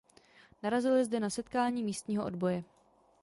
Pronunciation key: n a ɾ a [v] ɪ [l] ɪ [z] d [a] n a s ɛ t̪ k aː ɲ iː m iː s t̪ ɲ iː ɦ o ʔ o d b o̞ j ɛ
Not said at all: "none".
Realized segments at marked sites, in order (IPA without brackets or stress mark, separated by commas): z, l, z, ɛ